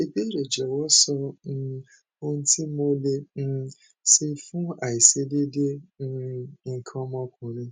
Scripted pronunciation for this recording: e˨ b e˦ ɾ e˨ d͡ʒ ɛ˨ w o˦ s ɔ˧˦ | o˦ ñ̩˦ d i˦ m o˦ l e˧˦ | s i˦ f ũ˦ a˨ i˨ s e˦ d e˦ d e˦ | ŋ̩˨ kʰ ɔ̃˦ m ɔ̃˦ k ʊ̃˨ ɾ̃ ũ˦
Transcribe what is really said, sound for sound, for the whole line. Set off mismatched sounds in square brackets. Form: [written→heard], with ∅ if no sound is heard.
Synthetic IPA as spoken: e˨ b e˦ ɾ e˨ d͡ʒ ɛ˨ w [o˦→ɔ˦] s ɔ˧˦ | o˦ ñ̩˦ [d→t] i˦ m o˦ l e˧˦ | s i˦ f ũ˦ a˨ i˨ s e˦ d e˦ d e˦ | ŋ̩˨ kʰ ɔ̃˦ m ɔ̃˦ k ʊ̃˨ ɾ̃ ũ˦